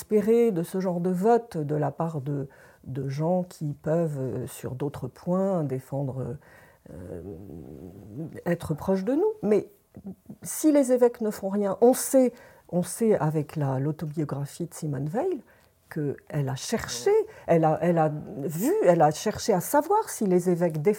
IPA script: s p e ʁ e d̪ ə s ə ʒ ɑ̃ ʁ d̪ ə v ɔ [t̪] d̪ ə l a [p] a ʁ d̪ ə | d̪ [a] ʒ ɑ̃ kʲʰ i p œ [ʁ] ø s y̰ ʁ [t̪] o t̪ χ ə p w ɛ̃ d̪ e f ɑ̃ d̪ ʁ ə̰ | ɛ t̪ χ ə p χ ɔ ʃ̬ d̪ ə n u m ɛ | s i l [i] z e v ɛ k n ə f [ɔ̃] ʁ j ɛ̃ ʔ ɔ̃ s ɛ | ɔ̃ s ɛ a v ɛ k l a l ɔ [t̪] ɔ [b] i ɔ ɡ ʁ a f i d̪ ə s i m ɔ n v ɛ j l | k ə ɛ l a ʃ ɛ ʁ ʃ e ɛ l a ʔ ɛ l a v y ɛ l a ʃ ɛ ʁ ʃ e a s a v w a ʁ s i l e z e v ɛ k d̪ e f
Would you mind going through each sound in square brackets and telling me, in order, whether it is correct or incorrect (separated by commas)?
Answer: correct, correct, incorrect, incorrect, incorrect, incorrect, correct, correct, correct